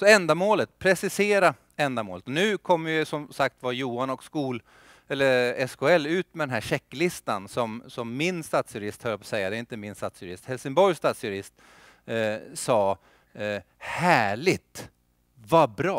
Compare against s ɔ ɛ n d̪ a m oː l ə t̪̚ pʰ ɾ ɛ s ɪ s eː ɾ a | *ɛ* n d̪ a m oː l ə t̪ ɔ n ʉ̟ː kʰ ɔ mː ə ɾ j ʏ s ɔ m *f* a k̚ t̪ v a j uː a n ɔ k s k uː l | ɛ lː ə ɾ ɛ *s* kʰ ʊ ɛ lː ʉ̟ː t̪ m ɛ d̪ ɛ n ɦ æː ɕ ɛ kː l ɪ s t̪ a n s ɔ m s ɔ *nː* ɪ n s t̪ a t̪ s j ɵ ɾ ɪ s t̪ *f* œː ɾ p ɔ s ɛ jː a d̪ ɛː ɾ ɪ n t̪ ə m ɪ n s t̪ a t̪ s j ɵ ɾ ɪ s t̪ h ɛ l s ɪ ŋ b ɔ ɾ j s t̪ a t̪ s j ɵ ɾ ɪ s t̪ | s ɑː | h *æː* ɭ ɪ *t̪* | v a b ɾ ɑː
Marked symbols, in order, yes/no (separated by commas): yes, no, yes, no, no, yes, yes